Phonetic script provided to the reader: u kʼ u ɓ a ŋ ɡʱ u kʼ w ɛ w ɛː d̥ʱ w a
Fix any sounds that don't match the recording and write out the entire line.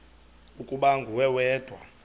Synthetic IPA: u kʼ u ɓ a ŋ ɡʱ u w ɛ w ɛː d̥ʱ w a